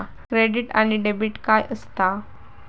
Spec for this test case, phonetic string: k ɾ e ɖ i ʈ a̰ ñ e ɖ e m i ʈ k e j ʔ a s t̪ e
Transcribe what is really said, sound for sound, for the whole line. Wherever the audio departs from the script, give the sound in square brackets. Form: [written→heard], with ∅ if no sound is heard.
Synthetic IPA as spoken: k ɾ e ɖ i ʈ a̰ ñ [e→i] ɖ e [m→b] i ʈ k [e→a] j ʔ [a→ə] s t̪ [e→a]